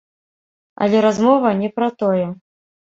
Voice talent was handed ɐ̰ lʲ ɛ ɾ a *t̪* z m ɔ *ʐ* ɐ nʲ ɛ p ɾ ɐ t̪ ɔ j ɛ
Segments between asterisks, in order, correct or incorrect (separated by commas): incorrect, incorrect